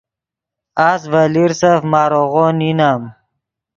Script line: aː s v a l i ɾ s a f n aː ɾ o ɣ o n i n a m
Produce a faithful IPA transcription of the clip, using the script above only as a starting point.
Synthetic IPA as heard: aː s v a l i ɾ s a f m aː ɾ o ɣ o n i n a m